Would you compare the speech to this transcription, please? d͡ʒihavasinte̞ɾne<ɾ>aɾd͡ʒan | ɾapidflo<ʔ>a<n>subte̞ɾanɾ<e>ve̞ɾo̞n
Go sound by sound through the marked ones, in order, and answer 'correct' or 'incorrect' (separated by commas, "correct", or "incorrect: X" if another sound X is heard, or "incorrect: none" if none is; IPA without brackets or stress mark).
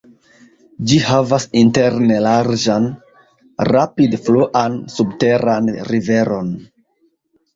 incorrect: l, correct, correct, incorrect: i